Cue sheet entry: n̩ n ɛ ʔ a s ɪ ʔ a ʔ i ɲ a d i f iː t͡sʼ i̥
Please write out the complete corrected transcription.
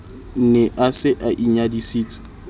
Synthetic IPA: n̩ n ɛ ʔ a s ɪ ʔ a ʔ i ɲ a d i s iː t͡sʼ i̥